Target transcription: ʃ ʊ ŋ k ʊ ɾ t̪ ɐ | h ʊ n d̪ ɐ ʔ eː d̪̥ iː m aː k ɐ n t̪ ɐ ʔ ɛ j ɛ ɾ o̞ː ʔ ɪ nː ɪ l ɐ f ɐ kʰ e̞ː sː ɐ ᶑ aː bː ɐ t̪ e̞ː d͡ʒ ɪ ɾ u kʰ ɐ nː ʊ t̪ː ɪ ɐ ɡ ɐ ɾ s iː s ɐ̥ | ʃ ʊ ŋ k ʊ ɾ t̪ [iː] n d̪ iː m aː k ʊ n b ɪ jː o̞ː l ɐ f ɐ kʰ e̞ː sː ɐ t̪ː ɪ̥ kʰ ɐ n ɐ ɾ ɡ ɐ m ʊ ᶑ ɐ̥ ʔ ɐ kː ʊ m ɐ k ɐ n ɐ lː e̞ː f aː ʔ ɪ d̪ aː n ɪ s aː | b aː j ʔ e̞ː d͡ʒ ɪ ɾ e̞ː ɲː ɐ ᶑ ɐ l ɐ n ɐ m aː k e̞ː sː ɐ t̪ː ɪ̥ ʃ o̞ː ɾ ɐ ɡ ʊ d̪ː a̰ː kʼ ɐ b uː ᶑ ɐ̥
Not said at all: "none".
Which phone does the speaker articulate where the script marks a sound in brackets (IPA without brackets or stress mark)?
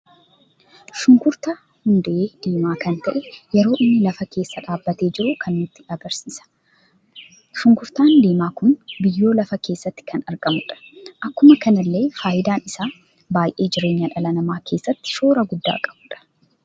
aː